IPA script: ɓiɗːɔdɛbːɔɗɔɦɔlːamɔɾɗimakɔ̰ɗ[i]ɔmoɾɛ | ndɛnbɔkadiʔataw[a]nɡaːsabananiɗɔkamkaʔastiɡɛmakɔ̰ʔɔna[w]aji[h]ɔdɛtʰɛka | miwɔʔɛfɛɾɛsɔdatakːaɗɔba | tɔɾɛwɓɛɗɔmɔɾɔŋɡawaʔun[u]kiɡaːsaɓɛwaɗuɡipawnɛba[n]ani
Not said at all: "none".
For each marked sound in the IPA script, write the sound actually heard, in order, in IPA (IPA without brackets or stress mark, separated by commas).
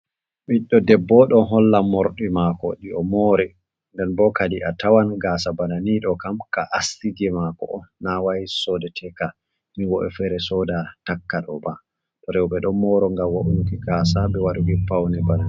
i, a, w, s, u, n